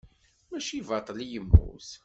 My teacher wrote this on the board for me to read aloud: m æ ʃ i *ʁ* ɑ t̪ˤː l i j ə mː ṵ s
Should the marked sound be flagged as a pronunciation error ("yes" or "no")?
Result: yes